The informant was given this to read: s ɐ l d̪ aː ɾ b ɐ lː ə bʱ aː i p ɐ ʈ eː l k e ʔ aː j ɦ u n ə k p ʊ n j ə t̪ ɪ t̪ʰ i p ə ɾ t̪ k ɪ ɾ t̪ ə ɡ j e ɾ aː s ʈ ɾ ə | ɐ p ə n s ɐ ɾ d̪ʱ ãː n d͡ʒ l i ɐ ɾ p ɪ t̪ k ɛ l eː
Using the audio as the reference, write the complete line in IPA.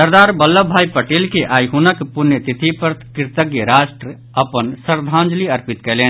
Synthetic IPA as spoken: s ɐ ɾ d̪ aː ɾ b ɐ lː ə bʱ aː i p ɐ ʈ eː l k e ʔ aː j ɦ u n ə k p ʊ n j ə t̪ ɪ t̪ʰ i p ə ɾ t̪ k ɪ ɾ t̪ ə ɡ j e ɾ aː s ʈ ɾ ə | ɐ p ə n s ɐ ɾ d̪ʱ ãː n d͡ʒ l i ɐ ɾ p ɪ t̪ k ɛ l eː